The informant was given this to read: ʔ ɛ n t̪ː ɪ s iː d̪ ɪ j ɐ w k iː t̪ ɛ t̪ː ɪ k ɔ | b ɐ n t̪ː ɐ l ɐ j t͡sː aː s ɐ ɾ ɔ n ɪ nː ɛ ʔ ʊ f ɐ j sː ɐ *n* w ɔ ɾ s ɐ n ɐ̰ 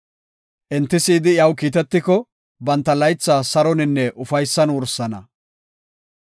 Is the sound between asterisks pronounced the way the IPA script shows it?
yes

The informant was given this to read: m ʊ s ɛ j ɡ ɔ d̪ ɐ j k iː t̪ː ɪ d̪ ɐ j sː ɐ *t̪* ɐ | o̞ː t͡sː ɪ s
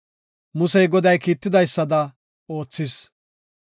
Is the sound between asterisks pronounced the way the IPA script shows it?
no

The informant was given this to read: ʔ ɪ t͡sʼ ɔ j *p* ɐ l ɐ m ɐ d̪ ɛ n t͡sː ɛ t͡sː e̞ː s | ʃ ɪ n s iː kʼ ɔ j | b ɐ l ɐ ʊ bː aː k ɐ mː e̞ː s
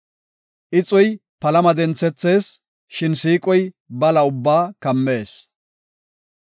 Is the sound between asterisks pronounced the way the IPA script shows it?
yes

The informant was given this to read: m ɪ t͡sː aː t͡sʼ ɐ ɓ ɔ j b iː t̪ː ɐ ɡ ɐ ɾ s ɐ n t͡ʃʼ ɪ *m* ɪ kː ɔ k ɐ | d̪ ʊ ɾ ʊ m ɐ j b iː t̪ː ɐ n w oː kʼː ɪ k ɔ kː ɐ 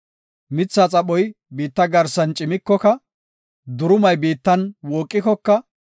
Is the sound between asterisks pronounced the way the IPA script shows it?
yes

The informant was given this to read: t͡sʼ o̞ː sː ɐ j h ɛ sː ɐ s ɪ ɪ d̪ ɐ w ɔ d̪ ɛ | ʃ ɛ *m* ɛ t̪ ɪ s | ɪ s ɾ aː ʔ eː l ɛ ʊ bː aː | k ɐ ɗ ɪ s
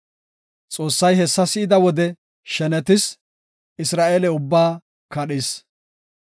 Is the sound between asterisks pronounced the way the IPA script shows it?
no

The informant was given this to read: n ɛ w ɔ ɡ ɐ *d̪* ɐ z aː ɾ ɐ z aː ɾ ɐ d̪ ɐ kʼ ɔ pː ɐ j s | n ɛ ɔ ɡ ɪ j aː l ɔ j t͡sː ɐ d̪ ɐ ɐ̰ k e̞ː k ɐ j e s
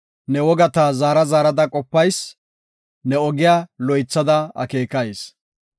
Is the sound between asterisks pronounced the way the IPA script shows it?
no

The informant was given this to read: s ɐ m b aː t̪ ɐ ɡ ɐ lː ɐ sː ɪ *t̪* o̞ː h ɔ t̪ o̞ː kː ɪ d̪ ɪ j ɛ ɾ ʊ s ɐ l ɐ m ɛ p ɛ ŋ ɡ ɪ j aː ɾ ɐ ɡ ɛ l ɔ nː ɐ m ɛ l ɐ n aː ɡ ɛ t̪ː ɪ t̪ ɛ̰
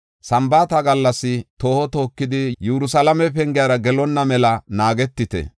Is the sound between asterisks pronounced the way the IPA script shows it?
yes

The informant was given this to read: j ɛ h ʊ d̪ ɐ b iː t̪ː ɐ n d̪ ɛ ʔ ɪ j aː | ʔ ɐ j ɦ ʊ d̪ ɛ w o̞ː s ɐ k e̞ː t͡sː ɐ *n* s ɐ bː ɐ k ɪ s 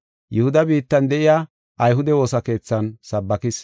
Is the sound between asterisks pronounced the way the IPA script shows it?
yes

